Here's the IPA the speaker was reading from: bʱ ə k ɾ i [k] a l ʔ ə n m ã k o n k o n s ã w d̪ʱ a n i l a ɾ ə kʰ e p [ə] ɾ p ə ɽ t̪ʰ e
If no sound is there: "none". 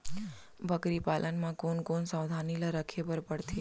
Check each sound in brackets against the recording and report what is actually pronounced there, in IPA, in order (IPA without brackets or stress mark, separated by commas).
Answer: p, ə